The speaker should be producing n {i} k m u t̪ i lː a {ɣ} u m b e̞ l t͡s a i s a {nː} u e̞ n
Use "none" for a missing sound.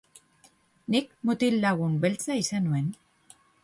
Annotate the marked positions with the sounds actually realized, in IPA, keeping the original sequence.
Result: i, ɣ, n

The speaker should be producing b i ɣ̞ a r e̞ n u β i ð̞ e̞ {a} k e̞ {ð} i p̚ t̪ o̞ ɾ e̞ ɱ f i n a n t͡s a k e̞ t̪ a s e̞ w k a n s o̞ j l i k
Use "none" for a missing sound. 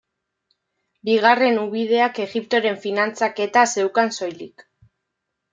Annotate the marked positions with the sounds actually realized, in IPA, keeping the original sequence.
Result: a, ɣ

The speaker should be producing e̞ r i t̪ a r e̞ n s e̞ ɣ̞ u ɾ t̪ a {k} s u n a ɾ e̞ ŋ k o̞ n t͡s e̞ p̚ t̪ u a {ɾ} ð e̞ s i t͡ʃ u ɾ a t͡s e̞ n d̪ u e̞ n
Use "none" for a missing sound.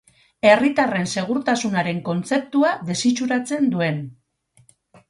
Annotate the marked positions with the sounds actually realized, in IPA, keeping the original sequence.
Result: none, none

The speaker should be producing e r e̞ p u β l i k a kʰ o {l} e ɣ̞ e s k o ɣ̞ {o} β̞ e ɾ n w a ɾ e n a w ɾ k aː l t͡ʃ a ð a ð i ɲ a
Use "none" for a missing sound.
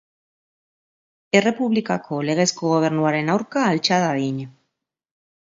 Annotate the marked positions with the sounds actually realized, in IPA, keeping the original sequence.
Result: l, o

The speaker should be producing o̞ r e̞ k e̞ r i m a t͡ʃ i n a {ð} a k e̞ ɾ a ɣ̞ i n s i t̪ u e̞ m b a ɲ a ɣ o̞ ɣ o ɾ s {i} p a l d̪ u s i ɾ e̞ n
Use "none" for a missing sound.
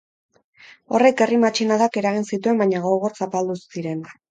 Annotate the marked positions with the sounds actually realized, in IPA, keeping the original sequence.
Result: ð, a

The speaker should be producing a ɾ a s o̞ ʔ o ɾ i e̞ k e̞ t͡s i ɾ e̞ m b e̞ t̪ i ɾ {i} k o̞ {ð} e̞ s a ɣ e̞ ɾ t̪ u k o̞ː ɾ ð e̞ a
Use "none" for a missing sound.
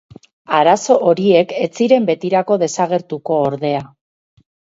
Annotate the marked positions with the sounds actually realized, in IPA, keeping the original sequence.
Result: a, ð

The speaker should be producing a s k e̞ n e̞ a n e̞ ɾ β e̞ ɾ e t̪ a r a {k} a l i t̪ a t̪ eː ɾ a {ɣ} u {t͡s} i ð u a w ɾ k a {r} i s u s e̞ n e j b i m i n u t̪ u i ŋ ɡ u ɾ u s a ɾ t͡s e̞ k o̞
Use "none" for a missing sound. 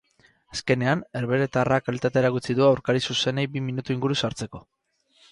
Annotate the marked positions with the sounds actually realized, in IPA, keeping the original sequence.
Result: k, ɣ, t͡s, ɾ

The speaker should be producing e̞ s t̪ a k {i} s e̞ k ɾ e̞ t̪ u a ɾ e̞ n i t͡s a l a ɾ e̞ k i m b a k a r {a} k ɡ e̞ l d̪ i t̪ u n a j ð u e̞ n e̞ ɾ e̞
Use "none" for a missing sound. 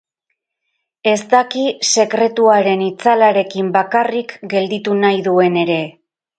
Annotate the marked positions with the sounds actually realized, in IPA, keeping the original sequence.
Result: i, i

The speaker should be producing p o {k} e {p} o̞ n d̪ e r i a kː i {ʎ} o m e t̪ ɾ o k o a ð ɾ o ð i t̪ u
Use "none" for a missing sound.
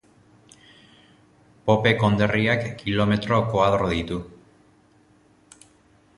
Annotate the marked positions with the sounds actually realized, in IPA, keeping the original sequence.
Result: p, k, l

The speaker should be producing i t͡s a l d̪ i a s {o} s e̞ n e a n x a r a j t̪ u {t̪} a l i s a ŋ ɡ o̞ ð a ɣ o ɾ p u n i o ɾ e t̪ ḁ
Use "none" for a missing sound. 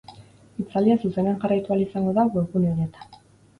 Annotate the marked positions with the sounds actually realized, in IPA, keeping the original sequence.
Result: u, none

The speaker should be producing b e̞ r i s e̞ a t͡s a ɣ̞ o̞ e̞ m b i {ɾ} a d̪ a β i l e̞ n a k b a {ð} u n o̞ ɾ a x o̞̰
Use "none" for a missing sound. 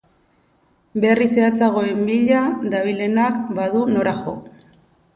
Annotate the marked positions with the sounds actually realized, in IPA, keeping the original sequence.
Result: ʎ, ð

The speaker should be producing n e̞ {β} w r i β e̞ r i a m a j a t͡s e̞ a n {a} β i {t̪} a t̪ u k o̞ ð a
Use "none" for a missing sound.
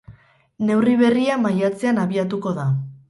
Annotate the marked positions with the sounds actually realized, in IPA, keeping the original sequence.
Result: none, a, none

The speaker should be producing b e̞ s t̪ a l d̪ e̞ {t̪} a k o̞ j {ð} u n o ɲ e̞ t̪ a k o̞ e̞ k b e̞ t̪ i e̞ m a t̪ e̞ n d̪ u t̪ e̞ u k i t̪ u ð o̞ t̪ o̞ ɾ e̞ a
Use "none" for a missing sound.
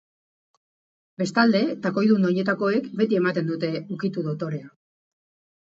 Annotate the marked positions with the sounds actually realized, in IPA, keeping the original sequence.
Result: t̪, ð

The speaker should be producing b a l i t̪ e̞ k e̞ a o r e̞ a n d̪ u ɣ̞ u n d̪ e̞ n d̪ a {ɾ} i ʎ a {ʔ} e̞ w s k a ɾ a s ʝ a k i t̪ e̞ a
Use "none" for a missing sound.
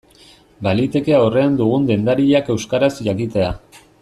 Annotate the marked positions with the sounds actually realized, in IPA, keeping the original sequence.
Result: ɾ, k

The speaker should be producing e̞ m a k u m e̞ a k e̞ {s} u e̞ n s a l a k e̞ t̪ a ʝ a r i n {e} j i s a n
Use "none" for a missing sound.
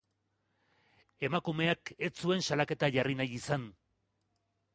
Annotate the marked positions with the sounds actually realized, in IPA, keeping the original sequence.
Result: t͡s, a

